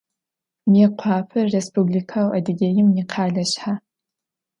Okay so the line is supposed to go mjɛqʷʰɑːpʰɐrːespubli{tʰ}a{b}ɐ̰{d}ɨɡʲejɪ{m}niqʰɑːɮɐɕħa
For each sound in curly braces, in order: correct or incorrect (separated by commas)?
incorrect, incorrect, correct, correct